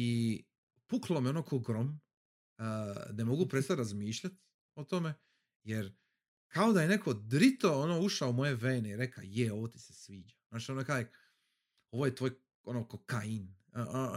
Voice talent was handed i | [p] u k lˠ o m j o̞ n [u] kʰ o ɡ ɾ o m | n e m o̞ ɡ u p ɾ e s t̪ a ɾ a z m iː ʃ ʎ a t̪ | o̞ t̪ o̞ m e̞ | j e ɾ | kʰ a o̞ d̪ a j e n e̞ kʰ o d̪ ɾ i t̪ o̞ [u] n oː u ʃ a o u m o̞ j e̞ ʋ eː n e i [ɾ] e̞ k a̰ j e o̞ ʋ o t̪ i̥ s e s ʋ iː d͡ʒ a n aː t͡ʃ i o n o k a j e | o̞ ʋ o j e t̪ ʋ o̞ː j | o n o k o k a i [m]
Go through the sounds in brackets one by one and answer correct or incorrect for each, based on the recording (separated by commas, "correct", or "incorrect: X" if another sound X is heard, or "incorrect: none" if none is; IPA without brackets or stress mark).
correct, incorrect: o, incorrect: o, correct, incorrect: n